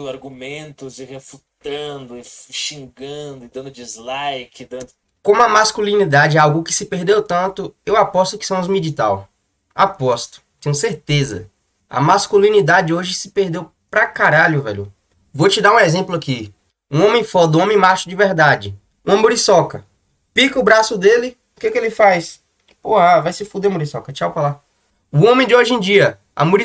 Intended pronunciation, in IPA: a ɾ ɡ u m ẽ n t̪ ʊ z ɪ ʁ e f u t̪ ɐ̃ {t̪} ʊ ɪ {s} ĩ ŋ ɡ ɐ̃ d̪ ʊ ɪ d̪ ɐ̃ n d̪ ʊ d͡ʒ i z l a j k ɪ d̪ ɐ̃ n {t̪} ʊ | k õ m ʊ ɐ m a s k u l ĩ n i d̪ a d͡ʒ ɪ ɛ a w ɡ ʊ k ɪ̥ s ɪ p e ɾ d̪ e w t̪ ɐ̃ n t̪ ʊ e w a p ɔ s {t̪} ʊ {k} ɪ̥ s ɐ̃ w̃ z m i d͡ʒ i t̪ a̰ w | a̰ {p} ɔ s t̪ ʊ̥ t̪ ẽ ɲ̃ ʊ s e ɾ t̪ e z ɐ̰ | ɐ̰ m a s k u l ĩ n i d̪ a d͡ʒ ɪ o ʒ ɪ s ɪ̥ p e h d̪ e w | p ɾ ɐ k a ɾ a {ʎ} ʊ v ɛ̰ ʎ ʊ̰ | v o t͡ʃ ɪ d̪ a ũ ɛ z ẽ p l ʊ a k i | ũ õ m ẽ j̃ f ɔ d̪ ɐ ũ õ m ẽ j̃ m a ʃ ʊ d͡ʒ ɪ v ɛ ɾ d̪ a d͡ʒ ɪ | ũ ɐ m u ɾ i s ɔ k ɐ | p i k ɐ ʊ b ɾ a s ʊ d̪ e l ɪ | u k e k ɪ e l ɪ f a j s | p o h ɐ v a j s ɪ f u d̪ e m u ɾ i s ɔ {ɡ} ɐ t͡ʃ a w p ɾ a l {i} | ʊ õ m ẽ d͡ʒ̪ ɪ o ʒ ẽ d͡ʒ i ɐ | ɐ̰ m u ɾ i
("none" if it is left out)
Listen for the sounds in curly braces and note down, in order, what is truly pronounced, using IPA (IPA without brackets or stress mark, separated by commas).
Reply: d̪, ʃ, d̪, t̪, k, p, ʎ, k, a